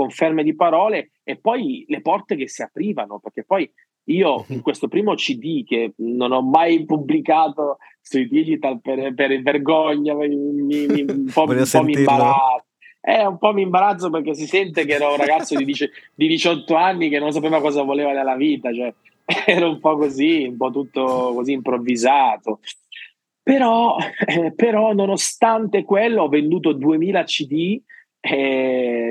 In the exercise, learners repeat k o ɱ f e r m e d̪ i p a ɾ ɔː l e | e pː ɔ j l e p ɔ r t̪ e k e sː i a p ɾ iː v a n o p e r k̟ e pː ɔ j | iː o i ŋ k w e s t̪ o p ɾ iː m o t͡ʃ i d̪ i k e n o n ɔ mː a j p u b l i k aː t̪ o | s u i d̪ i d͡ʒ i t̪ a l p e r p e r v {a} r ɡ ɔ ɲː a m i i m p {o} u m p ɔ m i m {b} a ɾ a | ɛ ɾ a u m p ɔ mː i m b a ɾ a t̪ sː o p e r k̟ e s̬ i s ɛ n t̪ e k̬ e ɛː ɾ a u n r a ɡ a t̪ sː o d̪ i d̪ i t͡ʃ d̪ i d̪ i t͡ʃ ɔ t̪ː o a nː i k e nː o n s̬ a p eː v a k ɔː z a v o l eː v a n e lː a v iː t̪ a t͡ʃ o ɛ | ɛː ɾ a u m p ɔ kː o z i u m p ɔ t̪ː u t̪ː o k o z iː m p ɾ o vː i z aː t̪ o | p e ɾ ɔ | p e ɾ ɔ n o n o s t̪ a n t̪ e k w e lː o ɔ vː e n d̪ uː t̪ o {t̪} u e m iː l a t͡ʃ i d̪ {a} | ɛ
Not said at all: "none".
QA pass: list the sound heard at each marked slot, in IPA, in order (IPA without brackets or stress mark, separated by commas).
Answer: e, ɔ, b, d̪, i